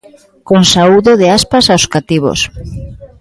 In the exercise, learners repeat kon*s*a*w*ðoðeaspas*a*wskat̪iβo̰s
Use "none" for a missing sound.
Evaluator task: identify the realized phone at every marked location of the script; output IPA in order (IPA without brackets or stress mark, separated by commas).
s, u, a